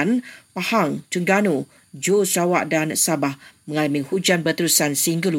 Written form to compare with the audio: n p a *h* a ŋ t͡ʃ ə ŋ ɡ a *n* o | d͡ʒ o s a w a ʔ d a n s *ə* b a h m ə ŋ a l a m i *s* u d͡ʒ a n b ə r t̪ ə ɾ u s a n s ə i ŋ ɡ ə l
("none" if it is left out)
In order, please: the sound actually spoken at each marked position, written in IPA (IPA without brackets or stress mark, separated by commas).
h, n, a, h